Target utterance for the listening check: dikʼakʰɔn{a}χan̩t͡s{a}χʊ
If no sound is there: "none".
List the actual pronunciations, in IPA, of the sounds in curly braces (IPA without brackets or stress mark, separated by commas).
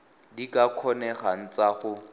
ɛ, a